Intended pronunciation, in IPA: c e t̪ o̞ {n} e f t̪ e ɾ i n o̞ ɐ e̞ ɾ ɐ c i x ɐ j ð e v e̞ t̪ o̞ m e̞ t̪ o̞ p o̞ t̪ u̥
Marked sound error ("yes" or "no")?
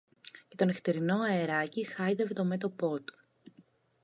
no